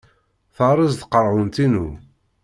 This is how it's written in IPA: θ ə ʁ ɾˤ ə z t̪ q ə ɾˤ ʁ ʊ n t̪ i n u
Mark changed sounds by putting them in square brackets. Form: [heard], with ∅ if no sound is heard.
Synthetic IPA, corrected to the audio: θ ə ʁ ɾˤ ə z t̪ q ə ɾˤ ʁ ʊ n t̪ i n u